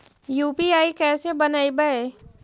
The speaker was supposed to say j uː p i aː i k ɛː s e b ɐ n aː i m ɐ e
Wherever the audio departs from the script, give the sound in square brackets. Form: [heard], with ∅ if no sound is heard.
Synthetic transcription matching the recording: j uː p i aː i k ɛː s e b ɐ n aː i [b] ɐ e